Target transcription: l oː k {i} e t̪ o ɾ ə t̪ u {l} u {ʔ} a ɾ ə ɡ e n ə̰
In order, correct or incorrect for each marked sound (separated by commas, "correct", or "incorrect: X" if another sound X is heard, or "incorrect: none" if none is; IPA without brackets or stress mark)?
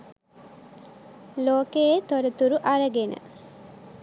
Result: incorrect: e, incorrect: ɾ, correct